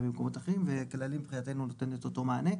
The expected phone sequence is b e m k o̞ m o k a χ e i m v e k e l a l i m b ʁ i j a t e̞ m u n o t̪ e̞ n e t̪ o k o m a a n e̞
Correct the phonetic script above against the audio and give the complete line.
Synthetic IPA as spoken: b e m k o̞ m o t a χ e i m v e k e l a l i m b χ i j a t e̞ n u n o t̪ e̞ n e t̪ o t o m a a n e̞